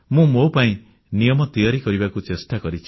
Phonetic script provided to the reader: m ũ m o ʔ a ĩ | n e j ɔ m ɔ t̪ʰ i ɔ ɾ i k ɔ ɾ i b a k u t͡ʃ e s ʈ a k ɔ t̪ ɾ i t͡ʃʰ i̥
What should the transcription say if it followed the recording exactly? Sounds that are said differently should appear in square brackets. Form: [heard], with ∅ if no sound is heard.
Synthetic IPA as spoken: m ũ m o [p] a ĩ | n [i] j ɔ m ɔ [t̪] i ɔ ɾ i k ɔ ɾ i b a k u t͡ʃ e s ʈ a k ɔ [∅] ɾ i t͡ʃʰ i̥

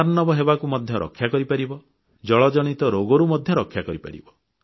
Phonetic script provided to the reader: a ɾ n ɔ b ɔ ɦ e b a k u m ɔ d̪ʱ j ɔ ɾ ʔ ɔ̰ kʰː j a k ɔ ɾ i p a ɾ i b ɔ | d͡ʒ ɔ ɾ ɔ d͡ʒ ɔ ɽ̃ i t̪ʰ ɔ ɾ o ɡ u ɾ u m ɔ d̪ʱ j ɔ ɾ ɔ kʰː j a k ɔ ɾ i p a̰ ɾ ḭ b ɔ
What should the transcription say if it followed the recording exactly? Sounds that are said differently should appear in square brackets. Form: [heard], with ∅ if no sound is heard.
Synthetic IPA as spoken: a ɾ n ɔ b ɔ ɦ e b a k u m ɔ d̪ʱ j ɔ ɾ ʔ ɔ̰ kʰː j a k ɔ ɾ i p a ɾ i b ɔ | d͡ʒ ɔ [ɭ] ɔ d͡ʒ ɔ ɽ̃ i [t̪] ɔ ɾ o ɡ [ɔ] ɾ u m ɔ d̪ʱ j ɔ ɾ ɔ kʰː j a k ɔ ɾ i p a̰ ɾ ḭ b ɔ

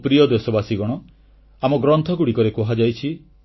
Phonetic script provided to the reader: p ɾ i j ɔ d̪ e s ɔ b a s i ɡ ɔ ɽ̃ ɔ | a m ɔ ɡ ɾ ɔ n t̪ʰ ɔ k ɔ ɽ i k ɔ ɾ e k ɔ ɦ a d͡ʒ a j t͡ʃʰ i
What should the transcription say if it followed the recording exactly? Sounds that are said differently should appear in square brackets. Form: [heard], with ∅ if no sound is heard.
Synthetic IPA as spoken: p ɾ i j ɔ d̪ e s ɔ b a s i ɡ ɔ ɽ̃ ɔ | a m ɔ ɡ ɾ ɔ n t̪ʰ ɔ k [u] ɽ i k ɔ ɾ e k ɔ ɦ a d͡ʒ a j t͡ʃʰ i

